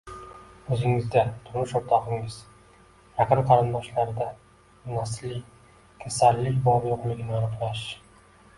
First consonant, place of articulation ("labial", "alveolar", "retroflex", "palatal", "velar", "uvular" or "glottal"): alveolar